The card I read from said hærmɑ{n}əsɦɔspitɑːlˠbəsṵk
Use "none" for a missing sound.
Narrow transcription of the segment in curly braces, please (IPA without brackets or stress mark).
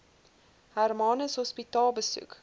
n